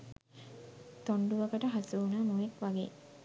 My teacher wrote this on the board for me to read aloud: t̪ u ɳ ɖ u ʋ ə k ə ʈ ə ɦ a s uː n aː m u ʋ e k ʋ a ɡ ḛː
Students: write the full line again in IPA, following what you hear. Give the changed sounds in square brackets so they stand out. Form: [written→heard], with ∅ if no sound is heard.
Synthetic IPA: t̪ [u→o] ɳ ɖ u ʋ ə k ə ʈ ə ɦ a s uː n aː m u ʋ e k ʋ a ɡ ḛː